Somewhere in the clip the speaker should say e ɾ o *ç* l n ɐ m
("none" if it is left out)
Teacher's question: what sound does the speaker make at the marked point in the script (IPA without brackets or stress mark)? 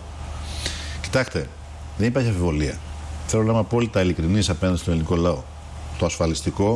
none